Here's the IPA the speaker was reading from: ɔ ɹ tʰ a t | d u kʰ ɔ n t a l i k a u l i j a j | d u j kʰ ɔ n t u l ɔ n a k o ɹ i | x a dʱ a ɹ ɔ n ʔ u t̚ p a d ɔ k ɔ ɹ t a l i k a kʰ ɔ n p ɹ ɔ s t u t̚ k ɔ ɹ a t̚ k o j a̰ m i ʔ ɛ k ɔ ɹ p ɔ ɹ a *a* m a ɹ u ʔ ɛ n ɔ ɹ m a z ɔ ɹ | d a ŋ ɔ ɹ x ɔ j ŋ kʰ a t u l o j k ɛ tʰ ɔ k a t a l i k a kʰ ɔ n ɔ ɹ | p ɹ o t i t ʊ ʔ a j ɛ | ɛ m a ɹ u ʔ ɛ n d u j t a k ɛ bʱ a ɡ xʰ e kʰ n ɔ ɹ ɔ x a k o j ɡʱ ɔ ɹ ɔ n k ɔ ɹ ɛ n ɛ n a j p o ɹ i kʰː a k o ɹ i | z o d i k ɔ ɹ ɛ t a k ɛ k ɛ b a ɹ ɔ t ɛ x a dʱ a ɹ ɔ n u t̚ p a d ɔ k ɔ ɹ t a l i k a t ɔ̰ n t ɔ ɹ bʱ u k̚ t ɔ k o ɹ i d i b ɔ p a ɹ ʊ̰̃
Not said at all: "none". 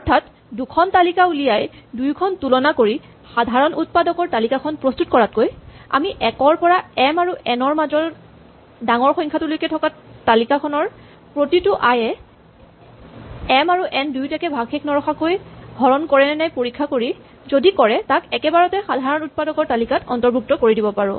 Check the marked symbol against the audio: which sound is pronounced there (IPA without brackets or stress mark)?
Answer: ɛ